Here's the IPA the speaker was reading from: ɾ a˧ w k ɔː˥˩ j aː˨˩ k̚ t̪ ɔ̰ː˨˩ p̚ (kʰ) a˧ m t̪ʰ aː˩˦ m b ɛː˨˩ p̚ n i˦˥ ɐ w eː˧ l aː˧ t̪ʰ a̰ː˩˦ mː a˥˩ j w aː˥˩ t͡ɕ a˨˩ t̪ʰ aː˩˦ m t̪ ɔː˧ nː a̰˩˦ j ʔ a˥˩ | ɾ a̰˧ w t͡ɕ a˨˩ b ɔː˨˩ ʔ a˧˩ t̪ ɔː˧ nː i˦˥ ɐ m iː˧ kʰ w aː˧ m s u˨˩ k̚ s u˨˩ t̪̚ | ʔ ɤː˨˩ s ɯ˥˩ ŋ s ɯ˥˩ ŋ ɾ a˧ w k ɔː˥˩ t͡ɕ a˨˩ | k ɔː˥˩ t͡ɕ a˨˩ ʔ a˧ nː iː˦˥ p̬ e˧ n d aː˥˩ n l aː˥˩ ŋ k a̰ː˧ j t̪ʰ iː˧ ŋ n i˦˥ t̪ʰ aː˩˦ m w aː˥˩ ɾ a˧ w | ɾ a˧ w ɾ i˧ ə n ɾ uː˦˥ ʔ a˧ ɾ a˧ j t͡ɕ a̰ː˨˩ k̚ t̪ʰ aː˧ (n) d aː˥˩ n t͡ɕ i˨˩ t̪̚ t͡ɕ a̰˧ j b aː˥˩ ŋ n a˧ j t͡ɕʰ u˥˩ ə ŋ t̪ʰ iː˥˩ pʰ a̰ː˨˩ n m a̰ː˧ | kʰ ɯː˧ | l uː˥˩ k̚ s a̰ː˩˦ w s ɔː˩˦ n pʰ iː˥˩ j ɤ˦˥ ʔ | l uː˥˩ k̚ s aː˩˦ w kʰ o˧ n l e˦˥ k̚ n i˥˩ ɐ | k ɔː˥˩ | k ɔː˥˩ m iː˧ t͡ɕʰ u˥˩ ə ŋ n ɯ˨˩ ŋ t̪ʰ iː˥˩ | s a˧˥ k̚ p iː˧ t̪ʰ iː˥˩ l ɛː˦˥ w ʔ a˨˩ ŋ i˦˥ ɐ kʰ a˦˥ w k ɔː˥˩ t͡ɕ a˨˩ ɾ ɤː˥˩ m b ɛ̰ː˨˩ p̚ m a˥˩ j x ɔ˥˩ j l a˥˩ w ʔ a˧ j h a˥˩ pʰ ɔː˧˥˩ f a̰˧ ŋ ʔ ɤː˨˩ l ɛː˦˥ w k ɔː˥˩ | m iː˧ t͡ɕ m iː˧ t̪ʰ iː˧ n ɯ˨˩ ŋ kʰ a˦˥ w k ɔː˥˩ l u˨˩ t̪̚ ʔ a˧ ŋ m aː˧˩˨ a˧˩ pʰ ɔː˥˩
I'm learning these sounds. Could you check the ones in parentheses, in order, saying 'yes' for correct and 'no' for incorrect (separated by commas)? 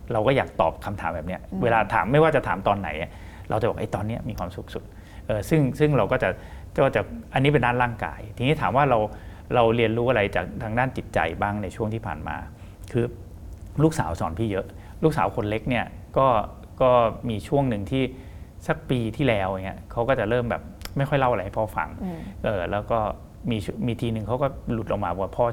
yes, no